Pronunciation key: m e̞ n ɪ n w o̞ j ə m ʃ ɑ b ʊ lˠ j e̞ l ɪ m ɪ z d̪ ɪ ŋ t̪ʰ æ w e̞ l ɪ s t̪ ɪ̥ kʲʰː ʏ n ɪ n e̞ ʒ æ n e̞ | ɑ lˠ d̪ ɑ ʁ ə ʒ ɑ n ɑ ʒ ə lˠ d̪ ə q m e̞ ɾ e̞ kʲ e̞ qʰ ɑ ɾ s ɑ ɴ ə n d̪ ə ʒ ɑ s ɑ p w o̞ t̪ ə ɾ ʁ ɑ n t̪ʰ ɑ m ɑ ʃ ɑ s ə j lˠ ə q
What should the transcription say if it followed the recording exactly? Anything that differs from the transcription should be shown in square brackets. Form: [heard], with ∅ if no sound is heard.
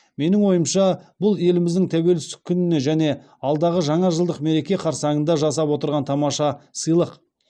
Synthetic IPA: m e̞ n ɪ [ŋ] w o̞ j ə m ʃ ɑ b ʊ lˠ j e̞ l ɪ m ɪ z d̪ ɪ ŋ t̪ʰ æ w e̞ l ɪ s t̪ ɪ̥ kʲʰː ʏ n ɪ n e̞ ʒ æ n e̞ | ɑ lˠ d̪ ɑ ʁ ə ʒ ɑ [ɴ] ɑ ʒ ə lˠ d̪ ə q m e̞ ɾ e̞ kʲ e̞ qʰ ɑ ɾ s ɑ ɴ ə n d̪ [ɑ] ʒ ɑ s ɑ p w o̞ t̪ ə ɾ ʁ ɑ n t̪ʰ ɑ m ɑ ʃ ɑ s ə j lˠ ə q